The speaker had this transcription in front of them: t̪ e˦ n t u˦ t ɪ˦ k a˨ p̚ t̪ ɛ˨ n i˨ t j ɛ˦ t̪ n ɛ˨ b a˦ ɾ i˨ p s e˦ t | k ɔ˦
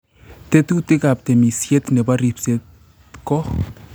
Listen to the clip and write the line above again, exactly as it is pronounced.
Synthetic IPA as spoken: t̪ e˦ t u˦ t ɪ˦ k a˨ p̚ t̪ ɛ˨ m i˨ s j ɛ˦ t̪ n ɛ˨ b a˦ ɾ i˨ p s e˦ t | k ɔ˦